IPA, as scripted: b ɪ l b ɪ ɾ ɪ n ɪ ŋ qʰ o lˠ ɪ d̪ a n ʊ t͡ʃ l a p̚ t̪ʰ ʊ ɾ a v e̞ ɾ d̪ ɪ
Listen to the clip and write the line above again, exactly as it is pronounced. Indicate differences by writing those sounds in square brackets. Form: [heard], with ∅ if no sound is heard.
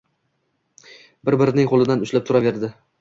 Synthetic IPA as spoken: b ɪ [ɾ] b ɪ ɾ ɪ n ɪ ŋ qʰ o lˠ ɪ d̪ a n ʊ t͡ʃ l a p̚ t̪ʰ ʊ ɾ a v e̞ ɾ d̪ ɪ